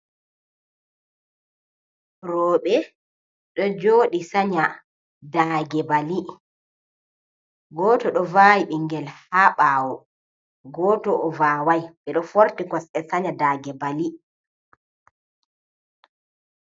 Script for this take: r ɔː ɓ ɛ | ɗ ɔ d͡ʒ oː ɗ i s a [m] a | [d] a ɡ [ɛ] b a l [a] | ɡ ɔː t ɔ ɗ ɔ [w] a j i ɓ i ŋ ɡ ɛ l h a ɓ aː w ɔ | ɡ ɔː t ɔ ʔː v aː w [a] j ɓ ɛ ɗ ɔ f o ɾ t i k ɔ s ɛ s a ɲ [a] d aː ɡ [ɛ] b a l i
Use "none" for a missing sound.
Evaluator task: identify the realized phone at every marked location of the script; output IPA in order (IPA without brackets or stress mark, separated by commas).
ɲ, d, ɛ, i, v, a, a, ɛ